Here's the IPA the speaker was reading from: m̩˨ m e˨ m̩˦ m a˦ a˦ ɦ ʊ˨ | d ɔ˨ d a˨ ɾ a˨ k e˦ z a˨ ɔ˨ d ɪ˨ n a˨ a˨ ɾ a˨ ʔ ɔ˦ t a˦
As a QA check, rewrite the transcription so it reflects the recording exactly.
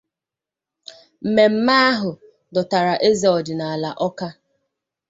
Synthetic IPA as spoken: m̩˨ m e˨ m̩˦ m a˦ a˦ ɦ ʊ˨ | d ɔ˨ t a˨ ɾ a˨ ʔ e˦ z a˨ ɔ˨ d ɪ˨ n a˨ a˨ l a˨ ʔ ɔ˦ k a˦